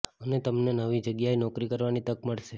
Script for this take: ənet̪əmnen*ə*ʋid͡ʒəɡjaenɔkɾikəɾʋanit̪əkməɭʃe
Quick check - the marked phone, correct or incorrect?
correct